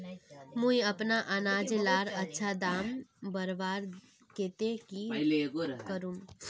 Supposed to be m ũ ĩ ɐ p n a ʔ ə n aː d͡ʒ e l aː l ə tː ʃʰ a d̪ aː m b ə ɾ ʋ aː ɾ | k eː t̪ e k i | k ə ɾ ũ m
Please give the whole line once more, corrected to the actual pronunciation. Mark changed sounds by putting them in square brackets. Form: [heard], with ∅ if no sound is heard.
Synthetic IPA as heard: m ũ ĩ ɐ p n a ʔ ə n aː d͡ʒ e l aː [ɾ] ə tː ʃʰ a d̪ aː m b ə ɾ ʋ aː ɾ | k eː t̪ e k i | k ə ɾ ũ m

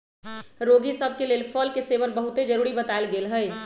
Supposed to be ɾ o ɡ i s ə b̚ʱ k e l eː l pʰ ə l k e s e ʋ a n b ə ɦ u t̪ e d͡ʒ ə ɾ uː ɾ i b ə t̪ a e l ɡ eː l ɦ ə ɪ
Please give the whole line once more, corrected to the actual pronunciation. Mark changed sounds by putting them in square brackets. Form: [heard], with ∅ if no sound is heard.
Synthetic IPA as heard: ɾ o ɡ i s ə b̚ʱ k e l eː l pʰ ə l k e s e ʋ [ə] n b ə ɦ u t̪ e d͡ʒ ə ɾ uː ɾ i b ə t̪ a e l ɡ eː l ɦ ə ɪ

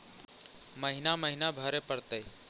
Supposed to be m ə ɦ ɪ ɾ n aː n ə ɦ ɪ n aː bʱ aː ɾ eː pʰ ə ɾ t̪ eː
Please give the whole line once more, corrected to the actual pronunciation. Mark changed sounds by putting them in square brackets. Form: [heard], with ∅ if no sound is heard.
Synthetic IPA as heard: m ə ɦ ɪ [∅] n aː [m] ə ɦ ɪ n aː bʱ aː ɾ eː [p] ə ɾ t̪ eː

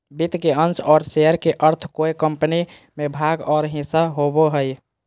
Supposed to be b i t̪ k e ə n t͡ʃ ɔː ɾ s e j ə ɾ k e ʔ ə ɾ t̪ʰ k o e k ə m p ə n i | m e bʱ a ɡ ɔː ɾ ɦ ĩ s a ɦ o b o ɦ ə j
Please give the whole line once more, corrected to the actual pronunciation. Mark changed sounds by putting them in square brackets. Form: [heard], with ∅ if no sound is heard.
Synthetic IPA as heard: b i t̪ k e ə n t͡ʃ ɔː ɾ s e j ə ɾ k e ʔ ə ɾ t̪ʰ k o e k ə m p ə n i | m e bʱ a ɡ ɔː ɾ ɦ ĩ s a ɦ o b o ɦ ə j

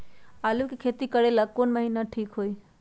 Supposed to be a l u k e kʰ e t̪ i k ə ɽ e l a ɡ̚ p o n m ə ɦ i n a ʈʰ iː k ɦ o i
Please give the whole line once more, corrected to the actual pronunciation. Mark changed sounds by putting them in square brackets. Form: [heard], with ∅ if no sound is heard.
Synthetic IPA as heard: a l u k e kʰ e t̪ i k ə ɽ e l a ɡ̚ [k] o n m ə ɦ i n a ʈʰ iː k ɦ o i

